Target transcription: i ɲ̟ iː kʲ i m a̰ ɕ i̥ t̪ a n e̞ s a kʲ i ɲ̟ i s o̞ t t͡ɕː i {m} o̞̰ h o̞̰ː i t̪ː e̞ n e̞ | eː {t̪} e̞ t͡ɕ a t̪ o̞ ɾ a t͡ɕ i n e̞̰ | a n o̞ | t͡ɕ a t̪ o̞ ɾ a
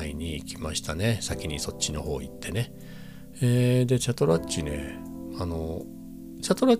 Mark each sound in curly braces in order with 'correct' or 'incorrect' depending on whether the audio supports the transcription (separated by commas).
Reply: incorrect, incorrect